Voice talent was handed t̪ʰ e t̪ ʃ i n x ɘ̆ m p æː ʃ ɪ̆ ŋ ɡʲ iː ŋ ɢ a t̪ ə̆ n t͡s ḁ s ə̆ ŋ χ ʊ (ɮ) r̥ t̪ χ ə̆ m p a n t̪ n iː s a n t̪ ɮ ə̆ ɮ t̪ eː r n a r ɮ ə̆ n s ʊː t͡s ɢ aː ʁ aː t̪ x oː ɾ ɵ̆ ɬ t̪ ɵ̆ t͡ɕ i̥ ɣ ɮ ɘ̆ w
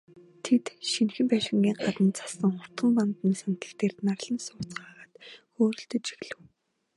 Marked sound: incorrect: none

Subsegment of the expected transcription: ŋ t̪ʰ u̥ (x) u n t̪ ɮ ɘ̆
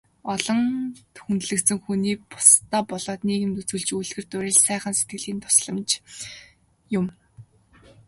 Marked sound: correct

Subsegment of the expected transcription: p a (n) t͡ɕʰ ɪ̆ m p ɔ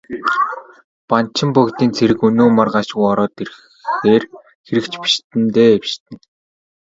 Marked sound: correct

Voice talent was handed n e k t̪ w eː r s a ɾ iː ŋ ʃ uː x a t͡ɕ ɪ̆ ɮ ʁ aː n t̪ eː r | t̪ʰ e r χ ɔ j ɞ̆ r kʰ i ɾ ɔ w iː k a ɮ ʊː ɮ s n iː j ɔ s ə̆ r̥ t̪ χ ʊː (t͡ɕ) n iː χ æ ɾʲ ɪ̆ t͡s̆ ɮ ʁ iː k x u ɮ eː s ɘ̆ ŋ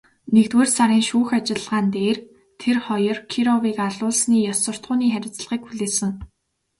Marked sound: incorrect: none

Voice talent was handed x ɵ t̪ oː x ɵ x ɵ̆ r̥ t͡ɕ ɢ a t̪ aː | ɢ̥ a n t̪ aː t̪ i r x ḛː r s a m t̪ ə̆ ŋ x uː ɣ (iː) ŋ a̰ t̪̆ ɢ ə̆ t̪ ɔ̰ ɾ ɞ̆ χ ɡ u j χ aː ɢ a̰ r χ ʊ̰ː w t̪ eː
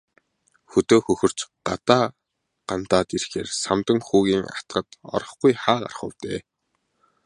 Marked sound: correct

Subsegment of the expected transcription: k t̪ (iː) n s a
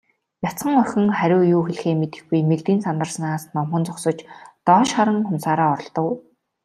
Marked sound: correct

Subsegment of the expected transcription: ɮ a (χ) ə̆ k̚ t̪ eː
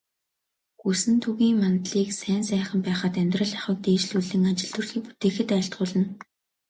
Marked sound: correct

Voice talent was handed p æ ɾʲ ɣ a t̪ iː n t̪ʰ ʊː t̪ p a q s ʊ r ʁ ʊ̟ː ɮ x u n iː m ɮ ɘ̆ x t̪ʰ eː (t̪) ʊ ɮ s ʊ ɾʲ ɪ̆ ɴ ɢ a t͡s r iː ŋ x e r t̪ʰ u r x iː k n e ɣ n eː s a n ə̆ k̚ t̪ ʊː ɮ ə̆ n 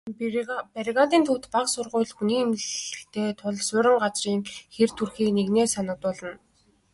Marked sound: incorrect: t̪ʰ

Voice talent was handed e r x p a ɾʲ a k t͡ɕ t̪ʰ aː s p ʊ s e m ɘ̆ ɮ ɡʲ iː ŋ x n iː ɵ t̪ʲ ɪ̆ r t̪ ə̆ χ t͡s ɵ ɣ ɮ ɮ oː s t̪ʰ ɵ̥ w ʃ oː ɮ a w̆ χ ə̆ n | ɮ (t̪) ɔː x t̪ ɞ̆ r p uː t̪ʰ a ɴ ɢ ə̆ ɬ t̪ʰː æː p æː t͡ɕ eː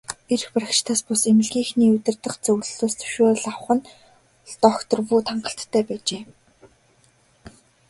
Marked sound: correct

